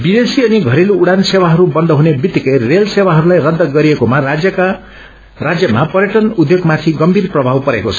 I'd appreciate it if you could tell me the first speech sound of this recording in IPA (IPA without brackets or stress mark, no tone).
b